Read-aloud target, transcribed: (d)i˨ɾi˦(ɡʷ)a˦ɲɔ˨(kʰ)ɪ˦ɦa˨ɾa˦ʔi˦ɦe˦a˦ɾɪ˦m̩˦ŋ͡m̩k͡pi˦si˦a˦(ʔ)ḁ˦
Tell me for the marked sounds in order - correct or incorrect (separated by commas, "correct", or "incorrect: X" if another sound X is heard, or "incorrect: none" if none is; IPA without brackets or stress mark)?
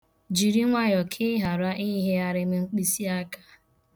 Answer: incorrect: d͡ʒ, incorrect: ŋʷ, correct, incorrect: k